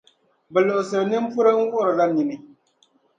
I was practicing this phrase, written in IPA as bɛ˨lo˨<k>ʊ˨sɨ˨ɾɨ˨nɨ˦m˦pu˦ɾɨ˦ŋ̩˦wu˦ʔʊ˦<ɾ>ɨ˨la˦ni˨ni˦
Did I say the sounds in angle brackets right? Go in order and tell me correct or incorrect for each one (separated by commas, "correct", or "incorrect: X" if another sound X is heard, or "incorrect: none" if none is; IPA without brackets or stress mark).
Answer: incorrect: ʔ, correct